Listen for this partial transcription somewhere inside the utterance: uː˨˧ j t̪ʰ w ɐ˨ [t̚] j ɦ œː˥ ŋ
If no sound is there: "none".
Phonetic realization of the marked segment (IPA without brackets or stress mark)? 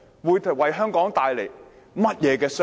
none